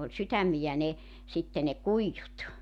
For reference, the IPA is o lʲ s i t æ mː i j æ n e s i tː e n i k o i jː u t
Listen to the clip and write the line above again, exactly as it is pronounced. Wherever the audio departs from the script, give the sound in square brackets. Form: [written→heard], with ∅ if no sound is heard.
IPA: o lʲ s [i→y] t æ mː i j æ n e s i tː e n [i→e] k [o→u] i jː u t